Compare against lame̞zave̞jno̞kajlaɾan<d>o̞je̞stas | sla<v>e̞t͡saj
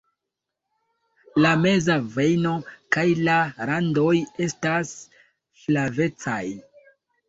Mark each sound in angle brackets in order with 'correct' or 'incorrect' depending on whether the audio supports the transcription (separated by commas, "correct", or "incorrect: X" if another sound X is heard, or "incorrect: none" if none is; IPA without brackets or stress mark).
correct, correct